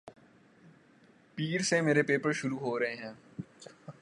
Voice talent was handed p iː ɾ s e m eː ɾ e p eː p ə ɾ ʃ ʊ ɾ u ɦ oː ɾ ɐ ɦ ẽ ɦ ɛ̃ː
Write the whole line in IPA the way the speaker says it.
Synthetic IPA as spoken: p iː ɾ s e m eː ɾ e p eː p ə ɾ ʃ ʊ ɾ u ɦ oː ɾ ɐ ɦ e ɦ ɛ̃ː